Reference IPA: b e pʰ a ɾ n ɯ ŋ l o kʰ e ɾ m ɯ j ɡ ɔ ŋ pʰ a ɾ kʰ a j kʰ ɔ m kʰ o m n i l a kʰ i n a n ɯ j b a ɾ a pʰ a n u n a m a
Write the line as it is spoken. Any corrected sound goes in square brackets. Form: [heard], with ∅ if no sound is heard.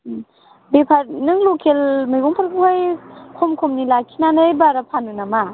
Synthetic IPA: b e pʰ a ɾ n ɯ ŋ l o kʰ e [l] m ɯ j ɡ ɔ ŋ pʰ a ɾ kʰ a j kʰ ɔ m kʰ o m n i l a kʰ i n a n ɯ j b a ɾ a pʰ a n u n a m a